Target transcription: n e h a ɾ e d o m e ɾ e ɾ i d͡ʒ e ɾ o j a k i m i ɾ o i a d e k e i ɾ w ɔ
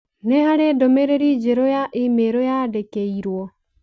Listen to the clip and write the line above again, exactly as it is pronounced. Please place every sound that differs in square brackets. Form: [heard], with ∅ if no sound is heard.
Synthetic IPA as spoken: n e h a ɾ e d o m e ɾ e ɾ i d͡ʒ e ɾ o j a [ʔ] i m [e] ɾ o [j] a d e k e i ɾ w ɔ